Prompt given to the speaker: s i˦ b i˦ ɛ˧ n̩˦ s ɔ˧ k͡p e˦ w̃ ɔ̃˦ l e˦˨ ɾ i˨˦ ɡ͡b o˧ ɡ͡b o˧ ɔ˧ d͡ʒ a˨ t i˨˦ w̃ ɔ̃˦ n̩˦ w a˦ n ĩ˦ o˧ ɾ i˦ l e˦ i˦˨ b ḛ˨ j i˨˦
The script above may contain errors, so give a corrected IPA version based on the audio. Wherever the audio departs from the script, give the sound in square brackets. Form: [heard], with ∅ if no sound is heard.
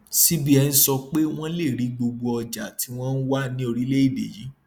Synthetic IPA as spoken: s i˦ b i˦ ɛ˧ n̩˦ s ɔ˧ k͡p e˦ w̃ ɔ̃˦ l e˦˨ ɾ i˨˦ ɡ͡b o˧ ɡ͡b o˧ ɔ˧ d͡ʒ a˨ t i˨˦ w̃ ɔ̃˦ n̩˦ w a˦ n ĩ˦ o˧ ɾ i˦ l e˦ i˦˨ b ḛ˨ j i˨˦